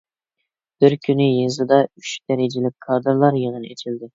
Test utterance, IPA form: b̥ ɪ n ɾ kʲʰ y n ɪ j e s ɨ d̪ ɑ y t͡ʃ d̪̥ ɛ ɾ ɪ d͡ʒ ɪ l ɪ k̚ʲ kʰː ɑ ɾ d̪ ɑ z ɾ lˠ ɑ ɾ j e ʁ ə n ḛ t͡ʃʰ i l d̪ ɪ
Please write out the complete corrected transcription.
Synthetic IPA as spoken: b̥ ɪ ɾ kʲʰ y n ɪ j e z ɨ d̪ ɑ y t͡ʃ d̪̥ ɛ ɾ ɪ d͡ʒ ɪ l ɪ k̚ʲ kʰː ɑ ɾ d̪ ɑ ɾ lˠ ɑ ɾ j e ʁ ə n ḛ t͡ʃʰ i l d̪ ɪ